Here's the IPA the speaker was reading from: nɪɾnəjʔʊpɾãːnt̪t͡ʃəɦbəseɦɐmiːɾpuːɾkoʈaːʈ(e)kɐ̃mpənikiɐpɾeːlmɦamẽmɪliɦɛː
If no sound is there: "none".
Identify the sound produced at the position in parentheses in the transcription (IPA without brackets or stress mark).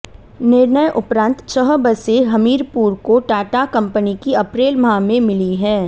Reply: a